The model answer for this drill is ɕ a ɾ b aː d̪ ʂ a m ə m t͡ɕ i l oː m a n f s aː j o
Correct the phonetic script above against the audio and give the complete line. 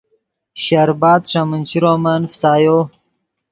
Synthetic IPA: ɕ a ɾ b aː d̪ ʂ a m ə n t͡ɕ i ɾ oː m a n f s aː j o